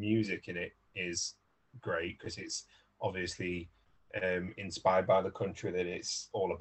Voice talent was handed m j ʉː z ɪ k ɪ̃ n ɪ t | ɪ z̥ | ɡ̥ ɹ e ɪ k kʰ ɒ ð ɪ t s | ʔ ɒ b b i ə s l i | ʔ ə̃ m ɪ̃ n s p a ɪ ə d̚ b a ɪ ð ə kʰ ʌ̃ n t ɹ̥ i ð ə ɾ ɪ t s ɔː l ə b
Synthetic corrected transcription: m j ʉː z ɪ k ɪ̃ n ɪ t | ɪ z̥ | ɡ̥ ɹ e ɪ ʔ kʰ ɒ z ɪ t s | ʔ ɒ b v i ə s l i | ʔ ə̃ m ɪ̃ n s p a ɪ ə d̚ b a ɪ ð ə kʰ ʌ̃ n t͡ʃ ɹ̥ i ð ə ɾ ɪ t s ɔː l ə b